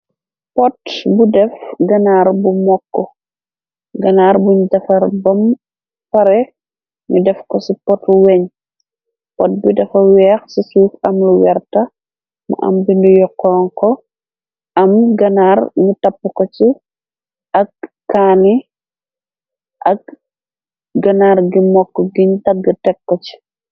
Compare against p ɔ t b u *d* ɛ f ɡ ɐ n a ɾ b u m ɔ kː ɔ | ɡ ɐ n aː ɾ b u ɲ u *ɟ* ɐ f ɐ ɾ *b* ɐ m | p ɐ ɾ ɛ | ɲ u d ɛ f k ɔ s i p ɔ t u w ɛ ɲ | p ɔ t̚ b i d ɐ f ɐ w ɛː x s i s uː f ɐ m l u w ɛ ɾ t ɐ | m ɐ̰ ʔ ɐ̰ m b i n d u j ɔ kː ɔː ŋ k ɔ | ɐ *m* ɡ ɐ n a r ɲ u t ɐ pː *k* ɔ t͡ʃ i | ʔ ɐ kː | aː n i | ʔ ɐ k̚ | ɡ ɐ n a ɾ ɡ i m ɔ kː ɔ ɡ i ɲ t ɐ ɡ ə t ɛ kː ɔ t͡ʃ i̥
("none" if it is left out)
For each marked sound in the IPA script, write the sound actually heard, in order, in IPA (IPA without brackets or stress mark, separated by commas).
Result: d, d, b, m, k